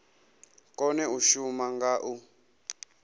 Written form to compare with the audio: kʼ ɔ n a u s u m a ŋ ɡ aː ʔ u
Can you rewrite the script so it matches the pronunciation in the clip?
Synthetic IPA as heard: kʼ ɔ n ɛ u ʃ u m a ŋ ɡ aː ʔ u